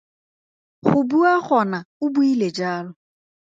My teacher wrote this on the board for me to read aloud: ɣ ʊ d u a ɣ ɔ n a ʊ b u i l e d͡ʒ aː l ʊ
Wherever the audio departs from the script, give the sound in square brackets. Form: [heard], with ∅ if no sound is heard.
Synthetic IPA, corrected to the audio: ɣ ʊ [b] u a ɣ ɔ n a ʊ b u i l e d͡ʒ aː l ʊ